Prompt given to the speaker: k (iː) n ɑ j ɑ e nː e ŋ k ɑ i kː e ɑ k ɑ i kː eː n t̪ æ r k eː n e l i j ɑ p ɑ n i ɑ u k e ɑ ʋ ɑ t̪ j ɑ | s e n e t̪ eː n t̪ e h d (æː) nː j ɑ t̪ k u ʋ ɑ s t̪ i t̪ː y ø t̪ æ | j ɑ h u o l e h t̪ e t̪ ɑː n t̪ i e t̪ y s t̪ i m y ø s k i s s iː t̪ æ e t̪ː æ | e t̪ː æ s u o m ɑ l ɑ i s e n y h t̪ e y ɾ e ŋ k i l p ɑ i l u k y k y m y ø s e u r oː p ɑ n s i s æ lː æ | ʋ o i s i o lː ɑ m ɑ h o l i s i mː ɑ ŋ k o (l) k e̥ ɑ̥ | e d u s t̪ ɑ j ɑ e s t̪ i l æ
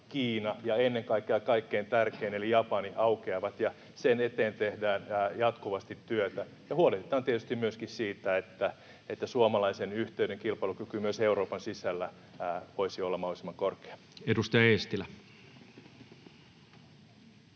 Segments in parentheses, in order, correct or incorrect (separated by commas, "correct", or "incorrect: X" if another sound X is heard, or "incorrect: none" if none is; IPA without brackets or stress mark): correct, correct, incorrect: r